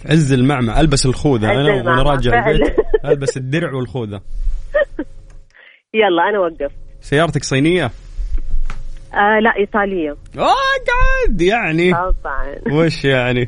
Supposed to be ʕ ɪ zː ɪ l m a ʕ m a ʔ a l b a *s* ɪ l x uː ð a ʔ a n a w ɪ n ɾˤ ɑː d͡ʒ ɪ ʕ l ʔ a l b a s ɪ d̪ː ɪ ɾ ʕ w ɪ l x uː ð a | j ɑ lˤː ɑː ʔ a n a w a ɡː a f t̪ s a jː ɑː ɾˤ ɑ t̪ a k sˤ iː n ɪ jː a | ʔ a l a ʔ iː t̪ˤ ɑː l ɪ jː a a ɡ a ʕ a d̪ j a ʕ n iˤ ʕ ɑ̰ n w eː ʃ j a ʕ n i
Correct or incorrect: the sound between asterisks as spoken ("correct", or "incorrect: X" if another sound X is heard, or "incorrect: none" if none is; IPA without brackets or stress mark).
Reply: correct